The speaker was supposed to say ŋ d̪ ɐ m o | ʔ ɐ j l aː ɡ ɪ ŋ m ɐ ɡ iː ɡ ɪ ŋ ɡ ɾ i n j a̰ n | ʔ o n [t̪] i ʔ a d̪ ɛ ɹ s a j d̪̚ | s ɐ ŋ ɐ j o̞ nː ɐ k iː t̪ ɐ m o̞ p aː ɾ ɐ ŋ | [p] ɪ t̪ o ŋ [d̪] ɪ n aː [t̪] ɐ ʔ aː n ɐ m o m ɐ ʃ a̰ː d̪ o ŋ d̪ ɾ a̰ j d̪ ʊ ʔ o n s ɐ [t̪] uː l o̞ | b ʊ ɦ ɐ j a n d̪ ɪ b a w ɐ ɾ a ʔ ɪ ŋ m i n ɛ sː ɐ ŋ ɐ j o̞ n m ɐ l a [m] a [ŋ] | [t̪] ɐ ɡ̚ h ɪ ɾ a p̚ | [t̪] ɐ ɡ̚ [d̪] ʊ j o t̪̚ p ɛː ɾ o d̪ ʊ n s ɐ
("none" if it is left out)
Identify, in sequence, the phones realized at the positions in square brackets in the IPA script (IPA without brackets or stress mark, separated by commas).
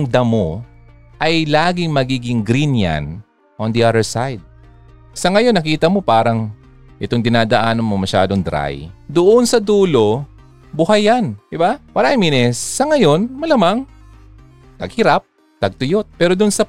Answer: d̪, ʔ, d̪, d̪, d̪, m, ŋ, t̪, t̪, t̪